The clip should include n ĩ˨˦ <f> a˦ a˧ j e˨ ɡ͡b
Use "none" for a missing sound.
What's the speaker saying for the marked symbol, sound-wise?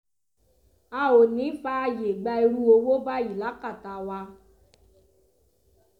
f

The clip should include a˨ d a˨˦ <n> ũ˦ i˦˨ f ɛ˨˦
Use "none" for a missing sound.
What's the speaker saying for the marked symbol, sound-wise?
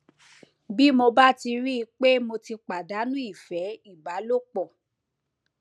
n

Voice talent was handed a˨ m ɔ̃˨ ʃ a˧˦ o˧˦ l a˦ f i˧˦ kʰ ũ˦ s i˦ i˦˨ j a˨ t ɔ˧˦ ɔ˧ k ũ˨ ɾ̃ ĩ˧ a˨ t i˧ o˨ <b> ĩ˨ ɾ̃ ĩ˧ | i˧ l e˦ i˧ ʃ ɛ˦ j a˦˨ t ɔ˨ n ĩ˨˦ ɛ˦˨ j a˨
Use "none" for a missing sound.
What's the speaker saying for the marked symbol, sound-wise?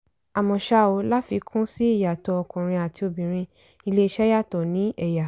b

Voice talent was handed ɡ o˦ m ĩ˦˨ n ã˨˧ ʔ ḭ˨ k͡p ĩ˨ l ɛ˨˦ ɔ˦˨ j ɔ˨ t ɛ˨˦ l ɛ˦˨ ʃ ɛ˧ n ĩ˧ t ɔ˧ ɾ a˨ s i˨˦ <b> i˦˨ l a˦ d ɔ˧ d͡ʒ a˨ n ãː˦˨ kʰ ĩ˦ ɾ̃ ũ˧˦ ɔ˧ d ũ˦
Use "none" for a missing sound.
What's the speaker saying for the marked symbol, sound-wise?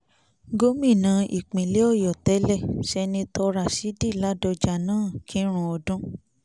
d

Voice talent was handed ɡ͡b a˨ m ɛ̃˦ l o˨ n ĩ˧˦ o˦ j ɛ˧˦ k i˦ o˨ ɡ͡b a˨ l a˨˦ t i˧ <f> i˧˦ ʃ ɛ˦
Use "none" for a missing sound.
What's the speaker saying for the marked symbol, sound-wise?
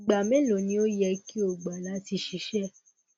ʃ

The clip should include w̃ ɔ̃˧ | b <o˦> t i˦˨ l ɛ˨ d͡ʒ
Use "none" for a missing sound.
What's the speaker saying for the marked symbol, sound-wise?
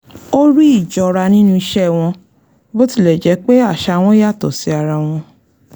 o˦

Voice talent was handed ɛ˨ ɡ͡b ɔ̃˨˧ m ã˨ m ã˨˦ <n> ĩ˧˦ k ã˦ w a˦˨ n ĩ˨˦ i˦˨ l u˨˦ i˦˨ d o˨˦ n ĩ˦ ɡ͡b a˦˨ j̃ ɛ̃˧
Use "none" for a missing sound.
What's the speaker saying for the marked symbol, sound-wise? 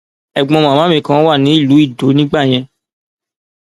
m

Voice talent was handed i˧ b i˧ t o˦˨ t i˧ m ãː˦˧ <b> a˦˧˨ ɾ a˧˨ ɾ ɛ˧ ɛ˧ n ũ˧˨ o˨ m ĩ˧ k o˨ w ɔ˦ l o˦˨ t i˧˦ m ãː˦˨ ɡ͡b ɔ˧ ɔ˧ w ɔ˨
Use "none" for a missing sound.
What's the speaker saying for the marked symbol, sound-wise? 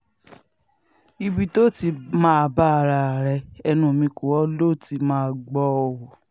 b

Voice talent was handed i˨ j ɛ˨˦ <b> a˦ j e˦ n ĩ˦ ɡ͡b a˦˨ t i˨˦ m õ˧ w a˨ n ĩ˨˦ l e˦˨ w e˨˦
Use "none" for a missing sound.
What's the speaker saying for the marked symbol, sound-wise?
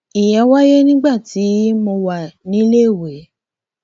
w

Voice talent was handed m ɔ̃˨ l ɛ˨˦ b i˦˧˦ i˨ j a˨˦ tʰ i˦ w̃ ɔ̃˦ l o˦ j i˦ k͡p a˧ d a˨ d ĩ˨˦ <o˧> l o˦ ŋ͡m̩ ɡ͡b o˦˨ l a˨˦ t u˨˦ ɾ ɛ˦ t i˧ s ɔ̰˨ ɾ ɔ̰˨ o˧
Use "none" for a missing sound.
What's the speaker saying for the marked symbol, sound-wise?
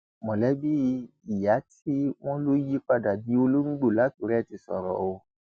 o˧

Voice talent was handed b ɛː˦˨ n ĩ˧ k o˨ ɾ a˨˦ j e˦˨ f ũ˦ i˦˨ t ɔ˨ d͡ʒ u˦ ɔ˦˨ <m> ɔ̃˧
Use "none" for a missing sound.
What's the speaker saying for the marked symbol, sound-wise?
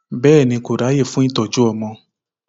m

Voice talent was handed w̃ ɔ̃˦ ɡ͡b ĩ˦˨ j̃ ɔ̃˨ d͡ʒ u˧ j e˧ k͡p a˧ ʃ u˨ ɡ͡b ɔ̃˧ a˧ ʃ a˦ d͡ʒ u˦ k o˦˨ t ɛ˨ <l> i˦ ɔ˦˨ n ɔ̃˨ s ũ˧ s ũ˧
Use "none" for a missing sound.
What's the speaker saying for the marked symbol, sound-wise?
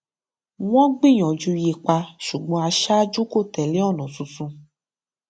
l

